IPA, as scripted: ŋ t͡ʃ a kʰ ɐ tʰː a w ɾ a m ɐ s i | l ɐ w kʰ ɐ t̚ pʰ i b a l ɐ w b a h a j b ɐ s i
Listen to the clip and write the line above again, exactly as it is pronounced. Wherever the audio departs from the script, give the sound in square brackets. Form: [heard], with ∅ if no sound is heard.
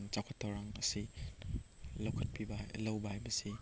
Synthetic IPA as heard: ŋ t͡ʃ a kʰ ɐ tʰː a w ɾ a [ŋ] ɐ s i | l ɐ w kʰ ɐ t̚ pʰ i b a l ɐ w b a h a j b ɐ s i